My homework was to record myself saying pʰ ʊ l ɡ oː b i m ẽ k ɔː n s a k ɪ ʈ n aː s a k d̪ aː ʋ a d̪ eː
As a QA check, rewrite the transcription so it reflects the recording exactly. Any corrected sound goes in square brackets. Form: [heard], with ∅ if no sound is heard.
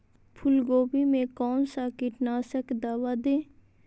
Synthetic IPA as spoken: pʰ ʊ l ɡ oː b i m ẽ k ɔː n s a k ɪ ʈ n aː s [ə] k d̪ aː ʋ a d̪ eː